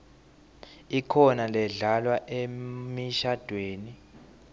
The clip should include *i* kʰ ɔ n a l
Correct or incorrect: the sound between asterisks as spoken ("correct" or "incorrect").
correct